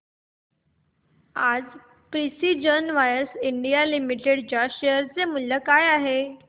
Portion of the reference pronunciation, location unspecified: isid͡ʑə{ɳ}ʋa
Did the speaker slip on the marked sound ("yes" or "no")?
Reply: yes